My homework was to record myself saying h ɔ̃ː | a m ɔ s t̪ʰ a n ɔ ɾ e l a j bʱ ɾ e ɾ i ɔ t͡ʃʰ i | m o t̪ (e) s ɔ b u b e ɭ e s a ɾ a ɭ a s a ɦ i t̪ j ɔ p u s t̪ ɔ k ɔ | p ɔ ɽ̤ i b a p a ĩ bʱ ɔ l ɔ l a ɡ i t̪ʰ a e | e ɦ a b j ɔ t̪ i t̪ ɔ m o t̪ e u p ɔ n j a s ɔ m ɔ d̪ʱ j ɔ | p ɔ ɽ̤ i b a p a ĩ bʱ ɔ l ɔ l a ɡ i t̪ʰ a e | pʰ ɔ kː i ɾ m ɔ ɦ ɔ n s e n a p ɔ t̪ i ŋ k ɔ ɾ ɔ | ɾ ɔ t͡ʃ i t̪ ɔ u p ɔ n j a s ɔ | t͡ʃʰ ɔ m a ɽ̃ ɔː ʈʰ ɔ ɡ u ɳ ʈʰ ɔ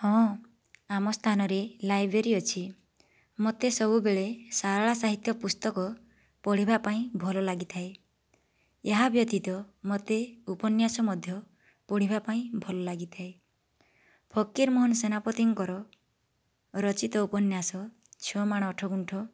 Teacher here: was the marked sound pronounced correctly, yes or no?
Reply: yes